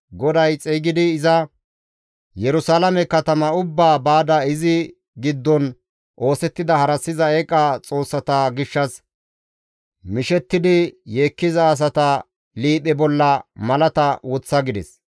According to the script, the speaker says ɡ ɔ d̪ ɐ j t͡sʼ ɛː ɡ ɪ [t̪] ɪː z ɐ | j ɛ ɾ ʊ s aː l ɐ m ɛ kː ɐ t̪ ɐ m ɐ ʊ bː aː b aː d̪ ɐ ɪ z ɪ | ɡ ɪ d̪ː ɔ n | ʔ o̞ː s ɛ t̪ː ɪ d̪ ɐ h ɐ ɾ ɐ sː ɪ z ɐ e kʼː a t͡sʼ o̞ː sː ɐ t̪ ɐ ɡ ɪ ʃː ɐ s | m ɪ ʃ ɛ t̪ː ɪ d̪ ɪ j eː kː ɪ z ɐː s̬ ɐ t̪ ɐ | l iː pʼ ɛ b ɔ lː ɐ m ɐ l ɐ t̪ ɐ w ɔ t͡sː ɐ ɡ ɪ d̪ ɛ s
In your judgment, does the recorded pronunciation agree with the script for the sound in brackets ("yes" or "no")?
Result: no